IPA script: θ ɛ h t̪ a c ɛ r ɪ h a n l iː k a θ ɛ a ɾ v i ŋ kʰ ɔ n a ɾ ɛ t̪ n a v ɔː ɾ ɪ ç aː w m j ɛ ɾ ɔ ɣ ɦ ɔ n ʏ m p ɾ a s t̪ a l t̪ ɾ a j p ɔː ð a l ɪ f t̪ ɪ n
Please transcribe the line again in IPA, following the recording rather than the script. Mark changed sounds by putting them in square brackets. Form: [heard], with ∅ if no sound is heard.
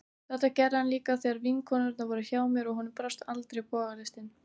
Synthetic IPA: θ ɛ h t̪ a c ɛ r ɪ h a n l iː k a θ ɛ a ɾ v i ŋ kʰ ɔ n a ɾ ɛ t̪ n a v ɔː ɾ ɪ ç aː w m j ɛ ɾ ɔ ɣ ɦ ɔ n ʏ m p ɾ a s t̪ a l t̪ ɾ [e] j p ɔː [ɣ] a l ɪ [s] t̪ ɪ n